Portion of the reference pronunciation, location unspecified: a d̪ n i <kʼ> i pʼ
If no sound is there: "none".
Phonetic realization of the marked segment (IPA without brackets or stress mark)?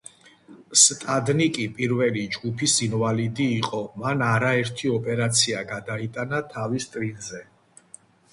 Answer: kʼ